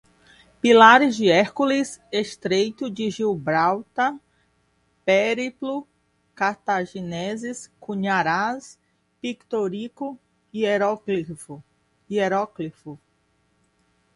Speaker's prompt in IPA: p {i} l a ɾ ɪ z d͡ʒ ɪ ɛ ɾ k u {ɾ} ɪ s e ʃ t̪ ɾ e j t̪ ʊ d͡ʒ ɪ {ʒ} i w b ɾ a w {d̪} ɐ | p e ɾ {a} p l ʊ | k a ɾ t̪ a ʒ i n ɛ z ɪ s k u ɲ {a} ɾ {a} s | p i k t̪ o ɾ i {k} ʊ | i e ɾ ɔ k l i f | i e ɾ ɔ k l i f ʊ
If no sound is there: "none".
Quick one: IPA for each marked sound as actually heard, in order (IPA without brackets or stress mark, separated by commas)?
i, l, ʒ, t̪, i, a, a, k